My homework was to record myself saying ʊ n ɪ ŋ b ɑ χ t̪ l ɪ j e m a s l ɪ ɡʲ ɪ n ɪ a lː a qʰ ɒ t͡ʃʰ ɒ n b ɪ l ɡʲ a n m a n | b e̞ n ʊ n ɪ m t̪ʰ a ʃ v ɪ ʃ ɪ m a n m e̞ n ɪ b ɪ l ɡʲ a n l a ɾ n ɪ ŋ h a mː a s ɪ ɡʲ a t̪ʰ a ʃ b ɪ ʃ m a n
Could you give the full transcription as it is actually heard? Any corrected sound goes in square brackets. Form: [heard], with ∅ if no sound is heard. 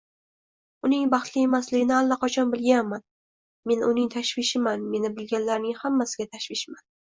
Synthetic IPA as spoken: ʊ n ɪ ŋ b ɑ χ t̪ l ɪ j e m a s l ɪ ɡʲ ɪ n ɪ a lː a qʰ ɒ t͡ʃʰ ɒ n b ɪ l ɡʲ a n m a n | [m] e̞ n ʊ n ɪ [ŋ] t̪ʰ a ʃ v ɪ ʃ ɪ m a n m e̞ n ɪ b ɪ l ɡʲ a n l a ɾ n ɪ ŋ h a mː a s ɪ ɡʲ a t̪ʰ a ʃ [v] ɪ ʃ m a n

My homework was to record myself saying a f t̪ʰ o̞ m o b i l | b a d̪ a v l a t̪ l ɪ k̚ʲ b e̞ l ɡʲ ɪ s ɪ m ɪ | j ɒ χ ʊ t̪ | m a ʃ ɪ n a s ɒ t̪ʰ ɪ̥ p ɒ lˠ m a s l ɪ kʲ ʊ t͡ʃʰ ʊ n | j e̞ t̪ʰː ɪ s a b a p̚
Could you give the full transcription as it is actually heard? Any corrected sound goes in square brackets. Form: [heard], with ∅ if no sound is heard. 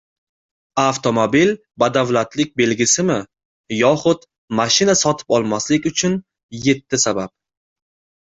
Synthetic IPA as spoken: a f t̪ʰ o̞ m o b i l | b a d̪ a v l a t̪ l ɪ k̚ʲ b e̞ l ɡʲ ɪ s ɪ m ɪ | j ɒ χ ʊ t̪ | m a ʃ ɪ n a s ɒ t̪ʰ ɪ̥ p ɒ lˠ m a s l ɪ kʲ ʊ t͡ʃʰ ʊ n | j e̞ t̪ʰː ɪ s a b a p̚

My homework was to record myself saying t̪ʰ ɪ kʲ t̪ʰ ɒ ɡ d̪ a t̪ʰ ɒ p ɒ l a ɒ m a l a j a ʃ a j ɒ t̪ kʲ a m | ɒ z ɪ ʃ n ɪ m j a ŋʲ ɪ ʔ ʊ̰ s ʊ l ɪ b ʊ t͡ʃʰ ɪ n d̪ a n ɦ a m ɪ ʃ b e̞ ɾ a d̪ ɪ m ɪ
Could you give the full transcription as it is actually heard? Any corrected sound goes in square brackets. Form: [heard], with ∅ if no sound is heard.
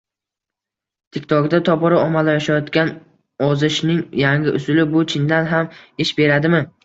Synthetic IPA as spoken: t̪ʰ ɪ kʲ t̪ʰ ɒ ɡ d̪ a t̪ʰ ɒ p ɒ [ɾ] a ɒ m a l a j a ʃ a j ɒ t̪ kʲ a [n] | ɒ z ɪ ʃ n ɪ [ŋ] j a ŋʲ ɪ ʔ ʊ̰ s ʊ l ɪ b ʊ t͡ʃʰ ɪ n d̪ a n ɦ a m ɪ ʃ b e̞ ɾ a d̪ ɪ m ɪ

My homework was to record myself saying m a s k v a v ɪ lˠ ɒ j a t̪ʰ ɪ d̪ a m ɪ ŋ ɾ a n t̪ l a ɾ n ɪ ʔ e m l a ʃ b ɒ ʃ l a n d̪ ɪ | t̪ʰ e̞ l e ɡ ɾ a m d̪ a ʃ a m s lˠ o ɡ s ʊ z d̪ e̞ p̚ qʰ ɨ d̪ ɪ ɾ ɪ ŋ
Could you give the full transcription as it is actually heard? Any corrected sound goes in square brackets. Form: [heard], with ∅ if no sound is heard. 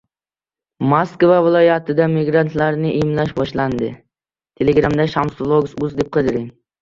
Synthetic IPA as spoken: m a s k v a v ɪ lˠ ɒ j a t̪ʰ ɪ d̪ a m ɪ [ɡ] ɾ a n t̪ l a ɾ n ɪ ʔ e m l a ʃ b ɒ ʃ l a n d̪ ɪ | t̪ʰ e̞ l e ɡ ɾ a m d̪ a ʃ a m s lˠ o ɡ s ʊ z d̪ e̞ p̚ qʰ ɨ d̪ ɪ ɾ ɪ ŋ

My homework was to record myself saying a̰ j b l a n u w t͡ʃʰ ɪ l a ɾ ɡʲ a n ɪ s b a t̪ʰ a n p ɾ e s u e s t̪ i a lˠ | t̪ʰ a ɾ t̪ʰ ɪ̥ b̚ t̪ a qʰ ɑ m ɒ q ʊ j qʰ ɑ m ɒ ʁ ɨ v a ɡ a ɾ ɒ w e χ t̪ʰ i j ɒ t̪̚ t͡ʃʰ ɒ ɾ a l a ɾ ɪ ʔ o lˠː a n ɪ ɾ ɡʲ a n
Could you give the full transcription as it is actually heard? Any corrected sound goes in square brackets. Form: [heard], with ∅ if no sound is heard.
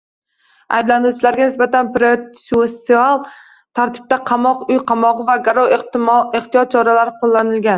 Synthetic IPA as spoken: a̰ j b l a n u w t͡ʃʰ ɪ l a ɾ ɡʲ a n ɪ s b a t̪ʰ a n p ɾ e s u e s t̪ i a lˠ | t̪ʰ a ɾ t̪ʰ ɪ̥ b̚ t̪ a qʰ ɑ m ɒ q ʊ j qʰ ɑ m ɒ ʁ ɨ v a ɡ a ɾ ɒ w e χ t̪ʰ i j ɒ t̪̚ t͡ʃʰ ɒ ɾ a l a ɾ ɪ [q] o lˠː a n ɪ [l] ɡʲ a n

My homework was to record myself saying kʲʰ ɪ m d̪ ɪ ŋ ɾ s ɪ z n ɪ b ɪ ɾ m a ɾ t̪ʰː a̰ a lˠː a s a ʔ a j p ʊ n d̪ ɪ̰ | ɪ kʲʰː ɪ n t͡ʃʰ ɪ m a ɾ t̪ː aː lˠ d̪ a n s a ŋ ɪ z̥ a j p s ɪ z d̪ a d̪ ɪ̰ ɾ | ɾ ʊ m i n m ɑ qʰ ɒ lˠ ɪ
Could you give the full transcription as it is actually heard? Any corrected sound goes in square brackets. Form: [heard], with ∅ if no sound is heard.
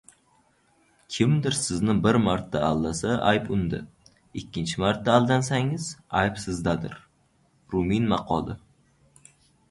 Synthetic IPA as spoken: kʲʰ ɪ m d̪ ɪ [∅] ɾ s ɪ z n ɪ b ɪ ɾ m a ɾ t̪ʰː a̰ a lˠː a s a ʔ a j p ʊ n d̪ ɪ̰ | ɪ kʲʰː ɪ n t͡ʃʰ ɪ m a ɾ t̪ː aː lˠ d̪ a n s a ŋ ɪ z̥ a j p s ɪ z d̪ a d̪ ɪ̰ ɾ | ɾ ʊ m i n m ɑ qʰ ɒ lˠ ɪ

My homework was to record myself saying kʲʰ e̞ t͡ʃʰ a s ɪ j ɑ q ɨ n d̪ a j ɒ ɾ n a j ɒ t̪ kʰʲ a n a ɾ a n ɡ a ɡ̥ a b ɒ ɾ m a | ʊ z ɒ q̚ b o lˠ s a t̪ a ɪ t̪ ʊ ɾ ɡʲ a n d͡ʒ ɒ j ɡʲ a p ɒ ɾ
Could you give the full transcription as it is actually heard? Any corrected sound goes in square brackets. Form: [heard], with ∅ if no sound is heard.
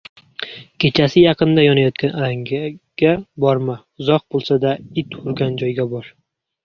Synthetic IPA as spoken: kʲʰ e̞ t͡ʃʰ a s ɪ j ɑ q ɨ n d̪ a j ɒ [∅] n a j ɒ t̪ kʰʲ a n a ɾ a [ŋ] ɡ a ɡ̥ a b ɒ ɾ m a | ʊ z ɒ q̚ b o lˠ s a [d̪] a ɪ t̪ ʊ ɾ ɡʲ a n d͡ʒ ɒ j ɡʲ a [b] ɒ ɾ

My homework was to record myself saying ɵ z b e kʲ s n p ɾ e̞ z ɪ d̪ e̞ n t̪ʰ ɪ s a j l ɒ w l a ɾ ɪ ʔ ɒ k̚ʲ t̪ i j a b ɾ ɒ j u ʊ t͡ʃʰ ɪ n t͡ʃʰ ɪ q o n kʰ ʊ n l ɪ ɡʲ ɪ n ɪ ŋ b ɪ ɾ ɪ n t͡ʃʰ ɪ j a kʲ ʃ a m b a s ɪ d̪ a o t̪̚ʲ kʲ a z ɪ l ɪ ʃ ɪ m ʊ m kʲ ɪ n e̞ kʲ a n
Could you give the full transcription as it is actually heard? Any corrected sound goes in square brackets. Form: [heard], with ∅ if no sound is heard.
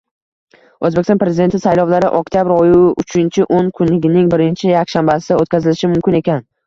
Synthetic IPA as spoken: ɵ z b e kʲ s n p ɾ e̞ z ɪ d̪ e̞ n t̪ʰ ɪ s a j l ɒ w l a ɾ ɪ ʔ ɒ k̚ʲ t̪ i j a b ɾ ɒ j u ʊ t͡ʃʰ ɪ n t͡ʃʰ ɪ [ʔ] o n kʰ ʊ n l ɪ ɡʲ ɪ n ɪ ŋ b ɪ ɾ ɪ n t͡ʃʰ ɪ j a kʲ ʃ a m b a s ɪ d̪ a o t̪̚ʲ kʲ a z ɪ l ɪ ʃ ɪ m ʊ m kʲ ɪ n e̞ kʲ a n

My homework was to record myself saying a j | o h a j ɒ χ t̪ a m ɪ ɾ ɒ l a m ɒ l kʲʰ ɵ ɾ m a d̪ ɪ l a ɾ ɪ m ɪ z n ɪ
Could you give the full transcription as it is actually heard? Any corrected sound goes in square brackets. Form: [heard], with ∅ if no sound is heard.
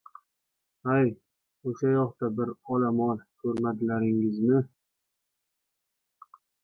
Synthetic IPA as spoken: a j | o [ʃ] a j ɒ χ t̪ a [b] ɪ ɾ ɒ l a m ɒ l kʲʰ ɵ ɾ m a d̪ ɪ l a ɾ ɪ [ŋ] ɪ z n ɪ

